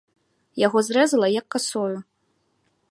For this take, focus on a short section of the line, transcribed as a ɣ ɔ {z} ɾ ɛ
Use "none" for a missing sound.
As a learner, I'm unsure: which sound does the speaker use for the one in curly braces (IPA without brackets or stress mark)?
z